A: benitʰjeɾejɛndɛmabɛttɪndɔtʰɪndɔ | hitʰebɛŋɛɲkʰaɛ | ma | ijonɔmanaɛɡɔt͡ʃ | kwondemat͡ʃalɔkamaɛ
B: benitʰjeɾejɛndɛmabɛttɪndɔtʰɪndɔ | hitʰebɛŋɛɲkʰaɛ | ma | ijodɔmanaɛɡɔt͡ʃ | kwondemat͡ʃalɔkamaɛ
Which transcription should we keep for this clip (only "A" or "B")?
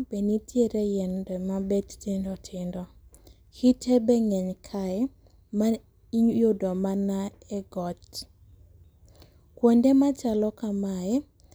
B